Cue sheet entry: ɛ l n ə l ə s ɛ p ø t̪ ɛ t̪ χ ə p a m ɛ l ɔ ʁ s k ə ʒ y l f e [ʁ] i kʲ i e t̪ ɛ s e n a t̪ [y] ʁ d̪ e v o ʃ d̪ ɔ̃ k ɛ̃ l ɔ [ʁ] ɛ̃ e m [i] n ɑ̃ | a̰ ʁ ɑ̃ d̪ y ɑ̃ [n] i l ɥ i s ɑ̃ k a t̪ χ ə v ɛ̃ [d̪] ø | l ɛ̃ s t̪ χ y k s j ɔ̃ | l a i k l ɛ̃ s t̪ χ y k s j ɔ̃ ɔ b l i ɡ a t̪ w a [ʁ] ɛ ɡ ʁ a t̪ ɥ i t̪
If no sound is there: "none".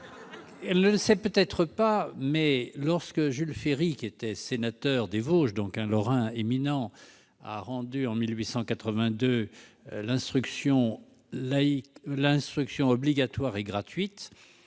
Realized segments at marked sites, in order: ʁ, œ, ʁ, i, m, d̪, ʁ

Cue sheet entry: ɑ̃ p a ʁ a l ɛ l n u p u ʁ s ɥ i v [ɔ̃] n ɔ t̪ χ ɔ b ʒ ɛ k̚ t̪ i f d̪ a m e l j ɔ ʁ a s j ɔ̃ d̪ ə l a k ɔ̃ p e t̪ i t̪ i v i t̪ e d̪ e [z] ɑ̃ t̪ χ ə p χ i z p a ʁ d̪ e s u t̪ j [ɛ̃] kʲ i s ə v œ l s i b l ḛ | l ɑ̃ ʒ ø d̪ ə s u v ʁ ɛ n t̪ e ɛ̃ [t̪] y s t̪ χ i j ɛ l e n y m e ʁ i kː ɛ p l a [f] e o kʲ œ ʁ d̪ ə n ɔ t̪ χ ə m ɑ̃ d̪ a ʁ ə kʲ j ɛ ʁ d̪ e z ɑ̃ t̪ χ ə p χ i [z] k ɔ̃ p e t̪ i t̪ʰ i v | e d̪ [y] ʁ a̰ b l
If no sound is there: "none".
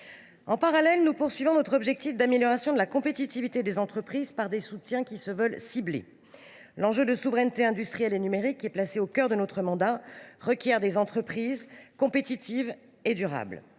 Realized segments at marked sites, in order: ɔ̃, z, ɛ̃, d̪, s, z, y

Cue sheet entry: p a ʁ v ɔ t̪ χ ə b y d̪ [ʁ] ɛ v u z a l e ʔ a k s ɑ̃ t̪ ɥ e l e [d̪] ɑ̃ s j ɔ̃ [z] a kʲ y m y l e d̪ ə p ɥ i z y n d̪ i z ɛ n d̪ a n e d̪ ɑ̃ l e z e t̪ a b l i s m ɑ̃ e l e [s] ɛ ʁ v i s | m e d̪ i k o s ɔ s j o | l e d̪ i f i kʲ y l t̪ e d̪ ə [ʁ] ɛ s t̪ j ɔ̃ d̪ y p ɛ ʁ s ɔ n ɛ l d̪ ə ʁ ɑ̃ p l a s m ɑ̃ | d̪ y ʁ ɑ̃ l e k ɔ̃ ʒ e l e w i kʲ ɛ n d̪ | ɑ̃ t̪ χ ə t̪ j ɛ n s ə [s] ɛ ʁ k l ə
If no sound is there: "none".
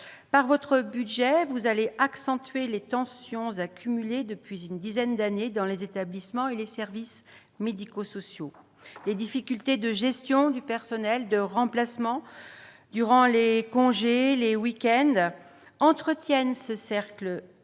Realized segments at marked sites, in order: ʒ, t̪, z, s, ʒ, s

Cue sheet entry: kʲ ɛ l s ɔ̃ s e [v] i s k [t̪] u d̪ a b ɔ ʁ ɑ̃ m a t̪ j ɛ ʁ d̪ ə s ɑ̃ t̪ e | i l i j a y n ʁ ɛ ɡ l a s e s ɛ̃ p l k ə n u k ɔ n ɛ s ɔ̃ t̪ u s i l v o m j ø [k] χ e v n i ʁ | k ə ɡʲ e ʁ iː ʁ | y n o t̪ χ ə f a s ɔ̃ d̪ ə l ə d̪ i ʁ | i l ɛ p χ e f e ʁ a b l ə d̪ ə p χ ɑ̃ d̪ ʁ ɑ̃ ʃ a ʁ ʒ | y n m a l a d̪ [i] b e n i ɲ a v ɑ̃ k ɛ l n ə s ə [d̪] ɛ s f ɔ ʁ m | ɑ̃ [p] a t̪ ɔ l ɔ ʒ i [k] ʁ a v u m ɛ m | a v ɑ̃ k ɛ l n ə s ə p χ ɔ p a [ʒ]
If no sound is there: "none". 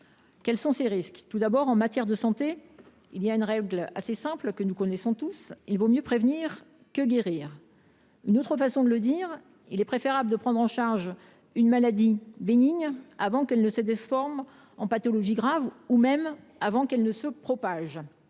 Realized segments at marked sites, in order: ʁ, t̪, p, i, d̪, p, ɡ, ʒ

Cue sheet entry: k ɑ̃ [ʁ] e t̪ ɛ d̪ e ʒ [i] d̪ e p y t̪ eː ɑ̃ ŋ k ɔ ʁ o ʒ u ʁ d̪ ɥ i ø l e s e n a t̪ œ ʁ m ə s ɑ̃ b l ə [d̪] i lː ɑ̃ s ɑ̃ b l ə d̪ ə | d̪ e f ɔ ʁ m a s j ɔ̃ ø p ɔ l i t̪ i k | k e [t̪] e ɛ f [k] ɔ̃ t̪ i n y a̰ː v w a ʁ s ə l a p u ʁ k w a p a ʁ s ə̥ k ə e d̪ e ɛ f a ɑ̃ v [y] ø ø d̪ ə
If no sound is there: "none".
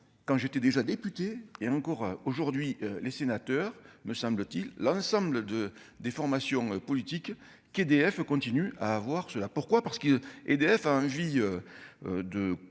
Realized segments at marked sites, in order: ʒ, a, t̪, d̪, k, i

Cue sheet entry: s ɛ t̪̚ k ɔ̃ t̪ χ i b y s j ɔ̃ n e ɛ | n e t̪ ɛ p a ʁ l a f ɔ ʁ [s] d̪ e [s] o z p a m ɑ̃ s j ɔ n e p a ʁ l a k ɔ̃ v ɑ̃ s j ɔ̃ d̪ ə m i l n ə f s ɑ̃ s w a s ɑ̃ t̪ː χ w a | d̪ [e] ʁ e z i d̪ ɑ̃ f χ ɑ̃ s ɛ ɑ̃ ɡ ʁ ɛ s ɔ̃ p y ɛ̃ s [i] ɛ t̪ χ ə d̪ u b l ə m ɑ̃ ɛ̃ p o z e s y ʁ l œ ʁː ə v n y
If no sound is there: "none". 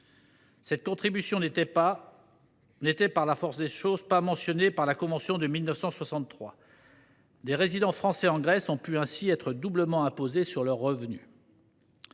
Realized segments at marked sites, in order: s, ʃ, e, i

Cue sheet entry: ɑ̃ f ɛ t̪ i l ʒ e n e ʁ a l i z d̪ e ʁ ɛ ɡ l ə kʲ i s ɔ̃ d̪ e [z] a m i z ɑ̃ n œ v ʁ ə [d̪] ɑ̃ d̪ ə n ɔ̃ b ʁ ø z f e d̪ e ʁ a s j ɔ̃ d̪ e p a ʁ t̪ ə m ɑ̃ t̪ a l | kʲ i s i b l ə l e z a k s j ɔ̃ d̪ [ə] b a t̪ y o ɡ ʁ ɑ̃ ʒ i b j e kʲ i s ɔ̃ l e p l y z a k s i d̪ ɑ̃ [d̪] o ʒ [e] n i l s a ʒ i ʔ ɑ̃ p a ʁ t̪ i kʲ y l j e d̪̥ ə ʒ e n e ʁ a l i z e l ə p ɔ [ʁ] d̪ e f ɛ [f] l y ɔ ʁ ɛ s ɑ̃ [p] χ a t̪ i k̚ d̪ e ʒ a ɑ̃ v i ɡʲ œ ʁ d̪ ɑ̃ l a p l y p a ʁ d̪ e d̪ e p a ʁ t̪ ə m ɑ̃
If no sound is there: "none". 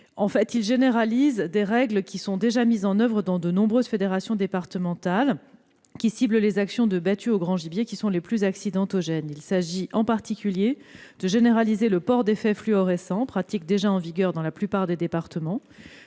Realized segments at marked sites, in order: ʒ, d̪, ə, t̪, ɛ, ʁ, f, p

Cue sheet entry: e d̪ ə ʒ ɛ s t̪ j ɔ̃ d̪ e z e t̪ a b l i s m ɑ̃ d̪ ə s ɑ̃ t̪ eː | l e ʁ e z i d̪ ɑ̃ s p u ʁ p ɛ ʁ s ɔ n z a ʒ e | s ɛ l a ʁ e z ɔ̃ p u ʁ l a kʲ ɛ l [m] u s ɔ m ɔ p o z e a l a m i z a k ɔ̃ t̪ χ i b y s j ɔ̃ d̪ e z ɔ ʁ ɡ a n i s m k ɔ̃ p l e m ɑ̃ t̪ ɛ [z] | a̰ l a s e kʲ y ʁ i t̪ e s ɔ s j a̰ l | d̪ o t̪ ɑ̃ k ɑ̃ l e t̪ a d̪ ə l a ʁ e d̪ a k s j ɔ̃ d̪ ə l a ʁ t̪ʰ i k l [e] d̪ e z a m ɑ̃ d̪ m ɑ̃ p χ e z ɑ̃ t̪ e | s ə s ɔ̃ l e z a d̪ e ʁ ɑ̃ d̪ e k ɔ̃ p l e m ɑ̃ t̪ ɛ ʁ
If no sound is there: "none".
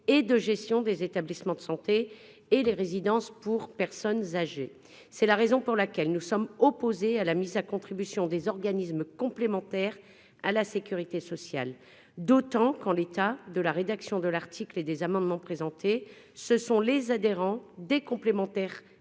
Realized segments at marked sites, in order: n, ʁ, e

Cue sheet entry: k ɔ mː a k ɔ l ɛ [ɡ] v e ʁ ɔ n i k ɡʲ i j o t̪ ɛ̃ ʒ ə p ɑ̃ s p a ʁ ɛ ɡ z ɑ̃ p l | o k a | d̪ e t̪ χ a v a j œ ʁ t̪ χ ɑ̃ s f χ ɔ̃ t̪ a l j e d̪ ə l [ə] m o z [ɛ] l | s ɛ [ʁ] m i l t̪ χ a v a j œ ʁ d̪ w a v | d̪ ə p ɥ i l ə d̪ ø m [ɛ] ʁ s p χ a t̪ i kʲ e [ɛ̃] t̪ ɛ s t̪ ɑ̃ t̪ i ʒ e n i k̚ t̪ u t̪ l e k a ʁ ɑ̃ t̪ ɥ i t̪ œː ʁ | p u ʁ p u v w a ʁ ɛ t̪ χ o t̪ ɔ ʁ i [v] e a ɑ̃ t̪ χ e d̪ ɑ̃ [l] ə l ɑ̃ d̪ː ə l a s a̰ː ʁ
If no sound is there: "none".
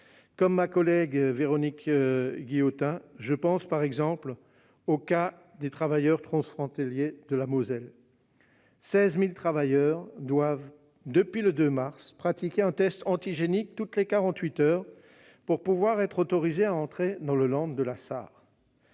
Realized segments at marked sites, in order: ɡ, a, ɛ, z, a, ɛ̃, z, l

